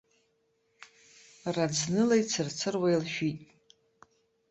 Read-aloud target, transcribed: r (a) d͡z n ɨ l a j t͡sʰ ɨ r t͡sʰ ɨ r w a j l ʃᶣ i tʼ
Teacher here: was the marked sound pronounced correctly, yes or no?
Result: yes